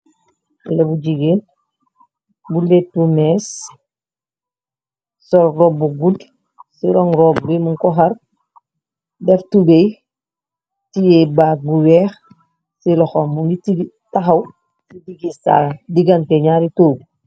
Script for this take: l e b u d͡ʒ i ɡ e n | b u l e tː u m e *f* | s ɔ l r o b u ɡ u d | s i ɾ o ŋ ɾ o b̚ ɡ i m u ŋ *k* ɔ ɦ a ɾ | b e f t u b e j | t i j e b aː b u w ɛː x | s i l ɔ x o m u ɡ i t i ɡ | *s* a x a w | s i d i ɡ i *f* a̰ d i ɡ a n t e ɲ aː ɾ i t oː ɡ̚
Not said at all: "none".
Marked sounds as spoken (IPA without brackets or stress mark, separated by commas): s, k, t, s